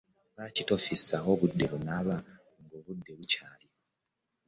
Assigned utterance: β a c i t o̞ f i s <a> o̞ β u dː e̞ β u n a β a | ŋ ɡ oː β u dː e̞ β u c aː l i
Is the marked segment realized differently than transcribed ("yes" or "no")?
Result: no